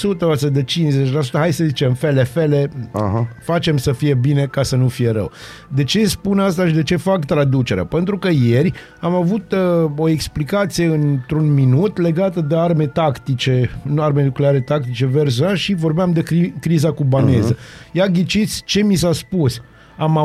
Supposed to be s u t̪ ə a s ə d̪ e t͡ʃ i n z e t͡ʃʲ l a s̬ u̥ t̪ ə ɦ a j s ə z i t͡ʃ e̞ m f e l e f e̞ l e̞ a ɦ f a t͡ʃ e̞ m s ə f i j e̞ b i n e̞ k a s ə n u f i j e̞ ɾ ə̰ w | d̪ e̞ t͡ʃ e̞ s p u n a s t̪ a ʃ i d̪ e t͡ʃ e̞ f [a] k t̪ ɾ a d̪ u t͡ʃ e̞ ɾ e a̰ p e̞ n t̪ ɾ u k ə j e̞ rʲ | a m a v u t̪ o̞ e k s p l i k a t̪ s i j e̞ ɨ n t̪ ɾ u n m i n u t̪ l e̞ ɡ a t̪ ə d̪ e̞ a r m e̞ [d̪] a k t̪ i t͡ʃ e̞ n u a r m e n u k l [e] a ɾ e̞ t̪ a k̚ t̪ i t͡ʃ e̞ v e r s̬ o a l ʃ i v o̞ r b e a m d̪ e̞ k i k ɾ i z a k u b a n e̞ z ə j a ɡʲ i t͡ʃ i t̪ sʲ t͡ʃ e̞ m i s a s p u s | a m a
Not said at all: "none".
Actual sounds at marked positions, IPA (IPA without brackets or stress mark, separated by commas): a, t̪, e